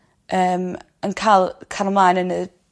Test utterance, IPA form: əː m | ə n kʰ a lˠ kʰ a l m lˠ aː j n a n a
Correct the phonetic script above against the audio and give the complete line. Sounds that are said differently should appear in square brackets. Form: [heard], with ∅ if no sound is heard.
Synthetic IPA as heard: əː m | ə n kʰ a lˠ kʰ a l m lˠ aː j n [ə] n [ə]

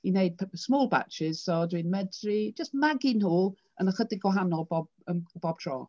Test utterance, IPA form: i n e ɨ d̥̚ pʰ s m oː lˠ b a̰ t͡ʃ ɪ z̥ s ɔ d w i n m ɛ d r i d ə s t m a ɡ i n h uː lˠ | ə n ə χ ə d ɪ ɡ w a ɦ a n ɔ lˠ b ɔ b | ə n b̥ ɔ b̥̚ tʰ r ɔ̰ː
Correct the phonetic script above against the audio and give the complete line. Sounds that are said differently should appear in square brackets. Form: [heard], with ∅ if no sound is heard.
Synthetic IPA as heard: i n e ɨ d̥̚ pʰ s m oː lˠ b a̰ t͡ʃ ɪ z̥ s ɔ d w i n m ɛ d r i [d͡ʒ] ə s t m a ɡ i n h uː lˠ | ə n ə χ ə d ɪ ɡ w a ɦ a n ɔ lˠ b ɔ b | ə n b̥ ɔ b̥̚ tʰ r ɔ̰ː

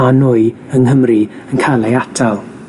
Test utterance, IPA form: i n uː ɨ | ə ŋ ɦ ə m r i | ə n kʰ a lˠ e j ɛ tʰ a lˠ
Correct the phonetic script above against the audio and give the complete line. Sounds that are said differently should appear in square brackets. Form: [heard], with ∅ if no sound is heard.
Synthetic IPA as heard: [a] n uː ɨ | ə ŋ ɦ ə m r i | ə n kʰ a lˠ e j [a] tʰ a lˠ

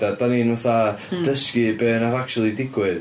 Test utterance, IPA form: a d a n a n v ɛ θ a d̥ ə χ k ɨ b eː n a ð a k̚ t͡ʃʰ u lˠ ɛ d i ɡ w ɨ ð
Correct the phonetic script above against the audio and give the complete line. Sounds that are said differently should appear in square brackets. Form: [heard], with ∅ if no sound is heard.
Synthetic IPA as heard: a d a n [i] n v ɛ θ a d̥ ə [s] k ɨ b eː n a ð a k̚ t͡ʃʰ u lˠ [i] d [ɪ] ɡ w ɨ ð

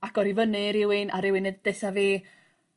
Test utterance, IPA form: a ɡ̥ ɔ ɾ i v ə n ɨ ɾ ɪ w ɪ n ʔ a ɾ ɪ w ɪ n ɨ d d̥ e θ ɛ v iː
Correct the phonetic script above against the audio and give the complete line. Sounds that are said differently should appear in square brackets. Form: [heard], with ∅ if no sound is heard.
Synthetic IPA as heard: a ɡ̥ ɔ ɾ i v ə n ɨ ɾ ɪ w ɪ n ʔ a ɾ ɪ w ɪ n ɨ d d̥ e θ [a] v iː

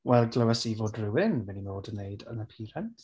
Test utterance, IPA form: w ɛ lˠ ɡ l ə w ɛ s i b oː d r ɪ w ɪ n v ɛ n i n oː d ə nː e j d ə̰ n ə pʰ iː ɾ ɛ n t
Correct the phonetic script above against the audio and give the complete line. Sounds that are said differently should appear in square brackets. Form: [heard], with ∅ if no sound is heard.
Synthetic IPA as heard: w ɛ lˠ ɡ l ə w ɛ s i [v] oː d r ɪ w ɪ n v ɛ n i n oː d ə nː e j d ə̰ n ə pʰ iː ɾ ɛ n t

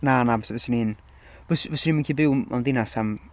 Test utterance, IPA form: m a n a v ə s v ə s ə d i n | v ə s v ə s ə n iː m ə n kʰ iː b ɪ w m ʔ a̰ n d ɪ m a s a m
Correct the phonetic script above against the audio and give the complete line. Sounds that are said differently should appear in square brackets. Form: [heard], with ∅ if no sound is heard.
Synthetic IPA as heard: [n] a n a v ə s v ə s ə [n] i n | v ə s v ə s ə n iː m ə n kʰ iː b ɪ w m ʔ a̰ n d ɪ [n] a s a m

